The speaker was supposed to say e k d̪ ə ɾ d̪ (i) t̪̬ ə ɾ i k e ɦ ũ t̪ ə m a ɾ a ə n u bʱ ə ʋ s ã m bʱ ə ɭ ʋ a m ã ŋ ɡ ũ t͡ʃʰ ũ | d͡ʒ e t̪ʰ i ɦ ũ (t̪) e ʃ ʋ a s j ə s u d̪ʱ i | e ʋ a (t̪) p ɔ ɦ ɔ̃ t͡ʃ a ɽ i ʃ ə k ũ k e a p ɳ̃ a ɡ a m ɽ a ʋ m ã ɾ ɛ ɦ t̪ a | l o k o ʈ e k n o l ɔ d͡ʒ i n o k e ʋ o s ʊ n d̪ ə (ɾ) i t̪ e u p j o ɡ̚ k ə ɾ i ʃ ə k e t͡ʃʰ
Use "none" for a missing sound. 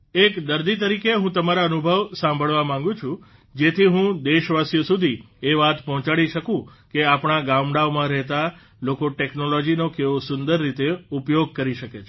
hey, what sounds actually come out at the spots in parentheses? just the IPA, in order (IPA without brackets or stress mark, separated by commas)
i, d̪, t̪, ɾː